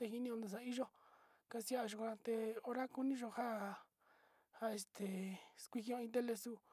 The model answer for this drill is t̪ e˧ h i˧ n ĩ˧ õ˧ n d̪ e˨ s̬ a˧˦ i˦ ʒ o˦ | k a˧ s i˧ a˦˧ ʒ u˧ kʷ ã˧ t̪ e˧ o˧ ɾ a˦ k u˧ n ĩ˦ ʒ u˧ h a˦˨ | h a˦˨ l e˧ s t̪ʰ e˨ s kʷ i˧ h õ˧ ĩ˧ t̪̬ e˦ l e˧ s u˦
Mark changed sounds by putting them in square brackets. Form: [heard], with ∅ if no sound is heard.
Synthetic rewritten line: t̪ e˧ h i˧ n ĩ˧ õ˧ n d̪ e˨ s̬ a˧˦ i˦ ʒ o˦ | k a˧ s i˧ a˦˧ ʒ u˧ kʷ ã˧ t̪ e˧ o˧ ɾ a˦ k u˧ n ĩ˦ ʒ [o˧] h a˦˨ | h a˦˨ [∅] e˧ s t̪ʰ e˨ s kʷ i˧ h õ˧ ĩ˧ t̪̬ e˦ l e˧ s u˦